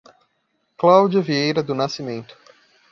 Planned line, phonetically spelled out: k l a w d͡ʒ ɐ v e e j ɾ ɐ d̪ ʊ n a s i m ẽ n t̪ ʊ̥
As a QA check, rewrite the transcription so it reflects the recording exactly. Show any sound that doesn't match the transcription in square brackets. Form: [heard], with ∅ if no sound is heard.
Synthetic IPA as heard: k l a w d͡ʒ ɐ v [i] e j ɾ ɐ d̪ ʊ n a s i m ẽ n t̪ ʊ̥